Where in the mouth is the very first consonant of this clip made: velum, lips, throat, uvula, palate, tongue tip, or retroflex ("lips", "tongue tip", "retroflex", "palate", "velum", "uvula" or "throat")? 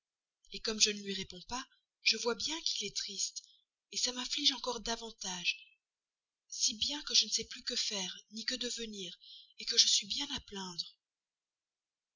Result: velum